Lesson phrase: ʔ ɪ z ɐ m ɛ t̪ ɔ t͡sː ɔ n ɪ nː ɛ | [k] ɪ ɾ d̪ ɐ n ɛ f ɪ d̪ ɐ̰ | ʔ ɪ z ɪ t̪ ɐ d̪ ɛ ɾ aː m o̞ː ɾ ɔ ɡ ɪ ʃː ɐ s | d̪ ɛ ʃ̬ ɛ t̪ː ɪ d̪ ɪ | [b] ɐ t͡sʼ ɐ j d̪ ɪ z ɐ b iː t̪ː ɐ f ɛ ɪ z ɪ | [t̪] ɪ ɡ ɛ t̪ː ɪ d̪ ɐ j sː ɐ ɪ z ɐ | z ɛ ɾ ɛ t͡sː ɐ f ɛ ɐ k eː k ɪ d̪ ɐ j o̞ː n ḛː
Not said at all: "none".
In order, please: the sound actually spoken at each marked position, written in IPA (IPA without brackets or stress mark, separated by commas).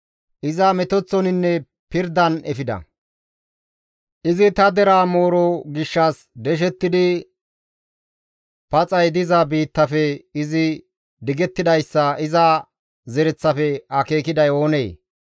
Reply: p, p, d̪